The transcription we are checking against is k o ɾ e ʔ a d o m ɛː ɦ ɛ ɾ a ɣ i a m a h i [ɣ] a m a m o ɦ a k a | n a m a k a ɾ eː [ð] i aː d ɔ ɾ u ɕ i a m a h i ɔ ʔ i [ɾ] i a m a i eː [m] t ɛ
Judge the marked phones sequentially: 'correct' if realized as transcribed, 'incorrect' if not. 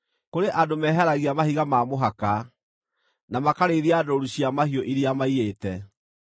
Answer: correct, correct, correct, incorrect: none

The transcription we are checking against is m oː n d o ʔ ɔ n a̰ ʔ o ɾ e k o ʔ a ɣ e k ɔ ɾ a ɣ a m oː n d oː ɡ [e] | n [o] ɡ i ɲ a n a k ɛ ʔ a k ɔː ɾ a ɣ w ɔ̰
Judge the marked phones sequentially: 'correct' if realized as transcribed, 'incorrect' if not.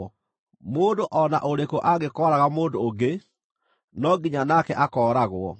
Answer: correct, incorrect: ɔ

